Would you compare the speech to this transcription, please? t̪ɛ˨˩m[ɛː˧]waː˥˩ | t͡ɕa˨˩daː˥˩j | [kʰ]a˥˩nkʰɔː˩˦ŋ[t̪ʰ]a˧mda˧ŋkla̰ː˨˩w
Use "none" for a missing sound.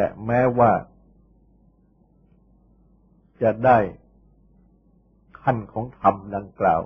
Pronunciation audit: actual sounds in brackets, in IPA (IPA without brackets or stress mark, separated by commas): ɛː˦˥, kʰ, t̪ʰ